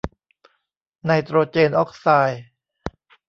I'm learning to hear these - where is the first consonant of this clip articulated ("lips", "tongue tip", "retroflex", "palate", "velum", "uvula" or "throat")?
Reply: tongue tip